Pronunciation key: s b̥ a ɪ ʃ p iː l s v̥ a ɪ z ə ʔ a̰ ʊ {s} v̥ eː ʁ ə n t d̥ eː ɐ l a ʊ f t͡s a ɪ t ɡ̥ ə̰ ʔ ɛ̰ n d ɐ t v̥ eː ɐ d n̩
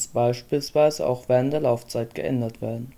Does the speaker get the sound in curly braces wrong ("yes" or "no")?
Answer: yes